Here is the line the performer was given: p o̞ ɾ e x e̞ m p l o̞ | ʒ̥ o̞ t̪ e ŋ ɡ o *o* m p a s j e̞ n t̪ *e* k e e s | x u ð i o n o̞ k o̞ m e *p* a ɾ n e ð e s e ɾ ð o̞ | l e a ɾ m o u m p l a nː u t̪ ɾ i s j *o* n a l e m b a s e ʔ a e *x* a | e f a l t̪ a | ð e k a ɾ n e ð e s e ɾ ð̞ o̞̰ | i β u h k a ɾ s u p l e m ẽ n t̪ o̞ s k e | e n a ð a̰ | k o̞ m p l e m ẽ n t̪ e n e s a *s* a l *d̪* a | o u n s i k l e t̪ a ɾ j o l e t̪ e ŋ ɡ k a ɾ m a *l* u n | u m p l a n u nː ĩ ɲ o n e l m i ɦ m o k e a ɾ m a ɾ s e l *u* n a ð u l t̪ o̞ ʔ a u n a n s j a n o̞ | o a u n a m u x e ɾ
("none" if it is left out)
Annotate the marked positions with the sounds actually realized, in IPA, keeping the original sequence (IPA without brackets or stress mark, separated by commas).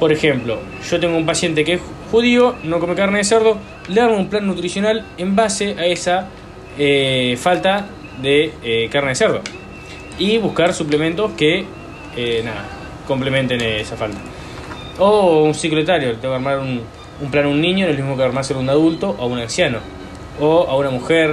u, e, k, o, s, f, t̪, ɾ, u